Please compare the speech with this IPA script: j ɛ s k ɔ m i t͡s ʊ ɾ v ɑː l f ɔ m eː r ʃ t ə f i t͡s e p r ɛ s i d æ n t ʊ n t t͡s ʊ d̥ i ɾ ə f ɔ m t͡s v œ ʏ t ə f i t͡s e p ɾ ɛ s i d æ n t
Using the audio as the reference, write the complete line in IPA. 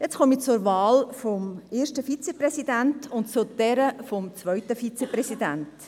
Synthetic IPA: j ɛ t͡s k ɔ m i t͡s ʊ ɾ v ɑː l f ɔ m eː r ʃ t ə f i t͡s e p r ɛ s i d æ n t ʊ n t t͡s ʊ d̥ ɛ ɾ ə f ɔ m t͡s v œ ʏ t ə f i t͡s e p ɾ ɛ s i d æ n t